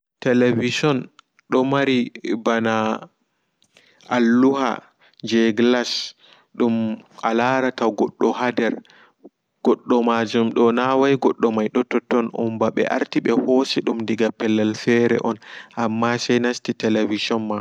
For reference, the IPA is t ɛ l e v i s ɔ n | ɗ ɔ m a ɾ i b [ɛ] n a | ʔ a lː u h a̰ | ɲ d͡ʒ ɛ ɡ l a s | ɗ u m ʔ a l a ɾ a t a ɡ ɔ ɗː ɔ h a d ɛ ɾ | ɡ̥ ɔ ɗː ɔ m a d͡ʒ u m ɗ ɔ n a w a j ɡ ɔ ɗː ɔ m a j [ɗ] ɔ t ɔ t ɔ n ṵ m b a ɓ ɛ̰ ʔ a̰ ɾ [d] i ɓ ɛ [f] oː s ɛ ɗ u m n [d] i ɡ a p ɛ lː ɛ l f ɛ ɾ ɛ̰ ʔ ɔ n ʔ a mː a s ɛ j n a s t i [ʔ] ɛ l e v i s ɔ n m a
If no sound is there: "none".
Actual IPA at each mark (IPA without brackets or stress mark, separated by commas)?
a, ɗ, t, h, d, t